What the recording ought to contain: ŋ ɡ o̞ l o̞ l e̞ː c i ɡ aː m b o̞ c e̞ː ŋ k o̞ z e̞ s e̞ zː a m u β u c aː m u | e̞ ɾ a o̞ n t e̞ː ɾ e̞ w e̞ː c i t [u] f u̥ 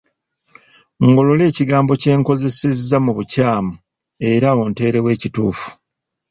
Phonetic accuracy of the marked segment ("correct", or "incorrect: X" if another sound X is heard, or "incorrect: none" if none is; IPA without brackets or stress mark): incorrect: uː